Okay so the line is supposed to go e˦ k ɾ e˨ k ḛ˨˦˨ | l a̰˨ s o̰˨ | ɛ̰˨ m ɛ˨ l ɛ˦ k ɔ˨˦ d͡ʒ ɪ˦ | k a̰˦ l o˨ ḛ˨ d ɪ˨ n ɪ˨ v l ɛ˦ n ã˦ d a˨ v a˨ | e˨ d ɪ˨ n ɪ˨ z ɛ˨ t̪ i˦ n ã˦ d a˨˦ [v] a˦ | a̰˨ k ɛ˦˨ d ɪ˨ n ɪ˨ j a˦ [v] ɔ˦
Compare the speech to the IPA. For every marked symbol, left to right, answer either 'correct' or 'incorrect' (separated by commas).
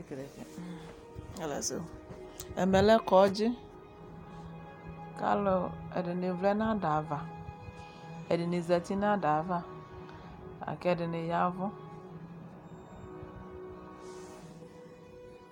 correct, correct